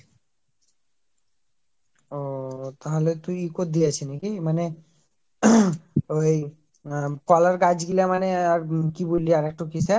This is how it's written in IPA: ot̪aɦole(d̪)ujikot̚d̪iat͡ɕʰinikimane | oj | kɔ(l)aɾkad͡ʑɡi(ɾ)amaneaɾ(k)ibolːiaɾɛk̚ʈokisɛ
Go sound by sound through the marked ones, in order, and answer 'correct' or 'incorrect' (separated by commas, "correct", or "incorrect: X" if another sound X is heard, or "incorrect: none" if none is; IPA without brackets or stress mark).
incorrect: t̪, correct, incorrect: l, correct